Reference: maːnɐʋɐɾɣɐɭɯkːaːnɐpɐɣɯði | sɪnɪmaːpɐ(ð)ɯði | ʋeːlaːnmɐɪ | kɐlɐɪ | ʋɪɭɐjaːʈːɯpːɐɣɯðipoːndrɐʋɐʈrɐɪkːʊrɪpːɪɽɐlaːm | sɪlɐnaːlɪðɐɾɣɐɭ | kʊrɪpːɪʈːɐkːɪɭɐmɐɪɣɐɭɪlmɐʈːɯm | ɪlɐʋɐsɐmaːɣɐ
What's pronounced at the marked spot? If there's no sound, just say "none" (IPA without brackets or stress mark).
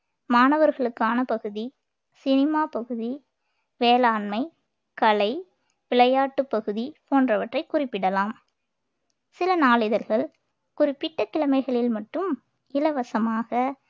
ɣ